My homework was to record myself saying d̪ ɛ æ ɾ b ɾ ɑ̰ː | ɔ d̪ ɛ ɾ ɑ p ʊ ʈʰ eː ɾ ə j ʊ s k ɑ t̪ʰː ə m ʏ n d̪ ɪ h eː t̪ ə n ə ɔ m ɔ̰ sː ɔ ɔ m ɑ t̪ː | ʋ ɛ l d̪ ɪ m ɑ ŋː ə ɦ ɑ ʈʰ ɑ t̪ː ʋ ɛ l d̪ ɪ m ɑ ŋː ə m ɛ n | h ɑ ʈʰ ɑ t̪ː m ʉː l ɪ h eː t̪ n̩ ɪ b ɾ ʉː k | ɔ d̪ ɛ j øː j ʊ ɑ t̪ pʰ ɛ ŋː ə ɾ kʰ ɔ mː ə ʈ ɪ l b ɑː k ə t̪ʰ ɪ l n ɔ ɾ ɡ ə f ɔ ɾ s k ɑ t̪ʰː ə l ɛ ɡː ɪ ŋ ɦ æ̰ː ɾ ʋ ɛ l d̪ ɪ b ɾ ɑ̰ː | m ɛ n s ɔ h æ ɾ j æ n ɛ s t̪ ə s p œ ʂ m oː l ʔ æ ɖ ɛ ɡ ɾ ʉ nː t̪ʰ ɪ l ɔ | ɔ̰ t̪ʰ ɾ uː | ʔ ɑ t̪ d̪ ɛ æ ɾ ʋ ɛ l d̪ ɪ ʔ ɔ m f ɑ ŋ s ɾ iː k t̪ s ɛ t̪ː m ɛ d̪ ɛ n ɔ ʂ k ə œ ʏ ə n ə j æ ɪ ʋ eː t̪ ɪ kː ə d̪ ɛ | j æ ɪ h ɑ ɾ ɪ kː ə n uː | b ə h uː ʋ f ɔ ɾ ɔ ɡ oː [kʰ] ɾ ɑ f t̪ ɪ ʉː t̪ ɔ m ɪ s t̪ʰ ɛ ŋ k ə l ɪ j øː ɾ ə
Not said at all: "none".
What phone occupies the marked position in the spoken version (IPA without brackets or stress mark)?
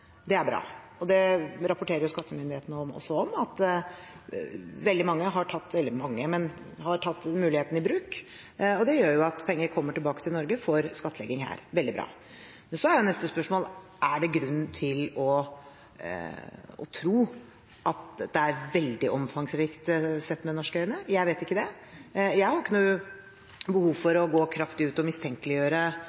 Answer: kʰ